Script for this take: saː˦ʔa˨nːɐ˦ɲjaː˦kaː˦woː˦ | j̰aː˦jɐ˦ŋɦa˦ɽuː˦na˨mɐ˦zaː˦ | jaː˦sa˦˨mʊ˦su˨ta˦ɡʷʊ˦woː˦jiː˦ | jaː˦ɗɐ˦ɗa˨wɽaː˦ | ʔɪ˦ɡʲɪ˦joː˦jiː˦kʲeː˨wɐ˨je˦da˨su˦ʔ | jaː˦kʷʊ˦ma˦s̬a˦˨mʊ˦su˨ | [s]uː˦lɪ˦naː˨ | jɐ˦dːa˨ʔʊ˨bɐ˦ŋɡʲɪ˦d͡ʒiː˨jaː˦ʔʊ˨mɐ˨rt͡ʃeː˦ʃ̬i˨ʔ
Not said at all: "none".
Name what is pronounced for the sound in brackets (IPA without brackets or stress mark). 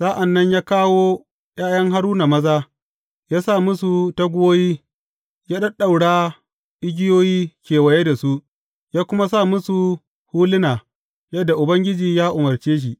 h